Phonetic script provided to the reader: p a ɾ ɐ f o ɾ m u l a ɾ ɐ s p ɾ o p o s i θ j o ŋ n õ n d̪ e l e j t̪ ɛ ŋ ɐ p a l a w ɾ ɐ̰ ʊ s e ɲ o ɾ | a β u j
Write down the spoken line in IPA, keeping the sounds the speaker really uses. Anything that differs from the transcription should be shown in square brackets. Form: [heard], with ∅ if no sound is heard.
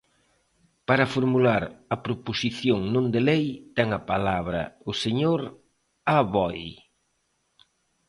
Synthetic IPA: p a ɾ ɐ f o ɾ m u l a ɾ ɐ [∅] p ɾ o p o s i θ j o ŋ n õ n d̪ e l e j t̪ ɛ ŋ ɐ p a l a [β] ɾ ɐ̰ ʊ s e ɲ o ɾ | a β [ɔ] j

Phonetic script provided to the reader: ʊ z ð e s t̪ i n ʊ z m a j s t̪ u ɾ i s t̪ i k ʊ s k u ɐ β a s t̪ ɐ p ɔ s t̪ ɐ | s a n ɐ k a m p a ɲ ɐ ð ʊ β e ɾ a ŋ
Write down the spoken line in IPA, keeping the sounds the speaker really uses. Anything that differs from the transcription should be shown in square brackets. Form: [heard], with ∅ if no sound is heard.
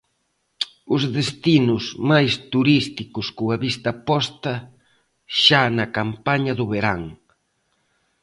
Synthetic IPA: ʊ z ð e s t̪ i n ʊ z m a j s t̪ u ɾ i s t̪ i k ʊ s k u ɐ β [i] s t̪ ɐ p ɔ s t̪ ɐ | [ʃ] a n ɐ k a m p a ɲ ɐ ð ʊ β e ɾ a ŋ

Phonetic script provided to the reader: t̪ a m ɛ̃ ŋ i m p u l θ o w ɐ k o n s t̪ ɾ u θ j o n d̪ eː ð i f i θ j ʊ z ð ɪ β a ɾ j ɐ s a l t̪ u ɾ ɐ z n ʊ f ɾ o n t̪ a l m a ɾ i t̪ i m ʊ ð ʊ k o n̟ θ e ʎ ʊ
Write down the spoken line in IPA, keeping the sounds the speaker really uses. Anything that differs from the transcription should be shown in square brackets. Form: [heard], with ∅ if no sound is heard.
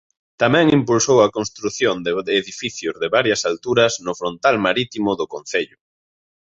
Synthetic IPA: t̪ a m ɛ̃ ŋ i m p u l [s] o w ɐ k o n s t̪ ɾ u θ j o n d̪ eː ð i f i θ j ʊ z ð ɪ β a ɾ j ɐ s a l t̪ u ɾ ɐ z n ʊ f ɾ o n t̪ a l m a ɾ i t̪ i m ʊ ð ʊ k o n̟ θ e ʎ ʊ

